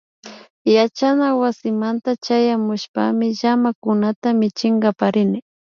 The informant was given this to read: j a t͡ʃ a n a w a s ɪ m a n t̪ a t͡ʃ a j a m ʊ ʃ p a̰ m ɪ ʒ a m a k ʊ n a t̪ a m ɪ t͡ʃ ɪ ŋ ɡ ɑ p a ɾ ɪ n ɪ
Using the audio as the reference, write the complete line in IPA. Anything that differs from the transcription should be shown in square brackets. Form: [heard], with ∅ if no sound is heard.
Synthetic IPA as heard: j a t͡ʃ a n a w a s ɪ m a n t̪ a t͡ʃ a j a m ʊ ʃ p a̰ m ɪ ʒ a m a k ʊ n a t̪ a m ɪ t͡ʃ ɪ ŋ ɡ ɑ p a ɾ ɪ n ɪ